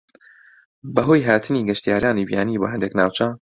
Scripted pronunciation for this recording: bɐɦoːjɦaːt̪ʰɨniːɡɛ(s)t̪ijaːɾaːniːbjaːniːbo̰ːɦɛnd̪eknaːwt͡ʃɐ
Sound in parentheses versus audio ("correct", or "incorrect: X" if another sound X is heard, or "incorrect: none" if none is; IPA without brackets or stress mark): incorrect: ʃ